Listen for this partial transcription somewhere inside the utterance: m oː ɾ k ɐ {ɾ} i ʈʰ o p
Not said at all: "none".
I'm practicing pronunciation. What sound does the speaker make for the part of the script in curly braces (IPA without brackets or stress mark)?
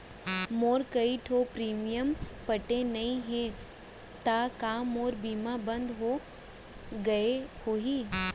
none